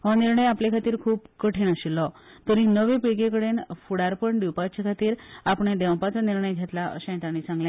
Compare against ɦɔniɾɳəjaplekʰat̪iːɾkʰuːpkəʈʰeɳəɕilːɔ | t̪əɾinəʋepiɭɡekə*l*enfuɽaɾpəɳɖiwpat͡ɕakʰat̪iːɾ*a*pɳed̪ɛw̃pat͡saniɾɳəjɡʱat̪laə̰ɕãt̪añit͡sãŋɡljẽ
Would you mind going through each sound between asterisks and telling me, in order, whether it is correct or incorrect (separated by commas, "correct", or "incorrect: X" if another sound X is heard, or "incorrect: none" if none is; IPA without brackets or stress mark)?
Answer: incorrect: ɽ, correct